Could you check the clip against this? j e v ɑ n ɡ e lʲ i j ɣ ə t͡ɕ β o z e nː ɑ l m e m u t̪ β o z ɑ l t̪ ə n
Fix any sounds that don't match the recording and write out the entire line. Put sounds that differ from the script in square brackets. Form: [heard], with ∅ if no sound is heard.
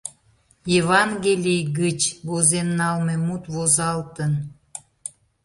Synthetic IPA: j e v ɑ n ɡ e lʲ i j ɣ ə t͡ɕ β o z e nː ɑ l m e m u t̪ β o z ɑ l t̪ ə n